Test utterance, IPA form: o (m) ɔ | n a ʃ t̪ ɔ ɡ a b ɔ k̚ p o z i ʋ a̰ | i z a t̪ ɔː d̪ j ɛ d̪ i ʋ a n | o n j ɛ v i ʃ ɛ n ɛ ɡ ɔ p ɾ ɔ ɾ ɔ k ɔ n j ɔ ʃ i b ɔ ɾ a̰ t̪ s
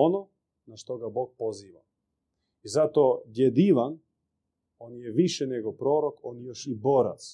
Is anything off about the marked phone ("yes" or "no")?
yes